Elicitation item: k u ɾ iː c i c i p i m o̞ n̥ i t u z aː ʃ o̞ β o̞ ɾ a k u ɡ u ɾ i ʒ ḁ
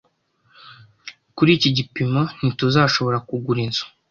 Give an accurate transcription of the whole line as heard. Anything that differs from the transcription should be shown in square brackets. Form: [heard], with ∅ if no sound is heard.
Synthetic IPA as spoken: k u ɾ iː c i [ɟ] i p i m o̞ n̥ i t u z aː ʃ o̞ β o̞ ɾ a k u ɡ u ɾ i [z] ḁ